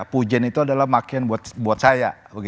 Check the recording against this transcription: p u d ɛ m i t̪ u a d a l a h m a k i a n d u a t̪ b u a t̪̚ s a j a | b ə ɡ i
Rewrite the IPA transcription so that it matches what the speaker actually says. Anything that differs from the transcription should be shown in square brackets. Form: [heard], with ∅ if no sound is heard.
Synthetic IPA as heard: p u [d͡ʒ] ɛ [n] i t̪ u a d a l a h m a k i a n [b] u a t̪ b u a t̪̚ s a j a | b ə ɡ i

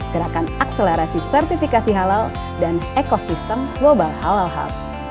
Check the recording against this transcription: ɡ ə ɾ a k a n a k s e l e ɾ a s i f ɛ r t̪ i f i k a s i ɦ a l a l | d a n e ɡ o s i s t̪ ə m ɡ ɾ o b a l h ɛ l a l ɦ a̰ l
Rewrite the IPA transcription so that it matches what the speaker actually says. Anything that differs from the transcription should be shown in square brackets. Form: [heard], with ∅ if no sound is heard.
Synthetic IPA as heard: ɡ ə ɾ a k a n a k s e l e ɾ a s i [s] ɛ r t̪ i f i k a s i ɦ a l a l | d a n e [k] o s i s t̪ ə m ɡ [l] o b a l h [a] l a l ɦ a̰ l

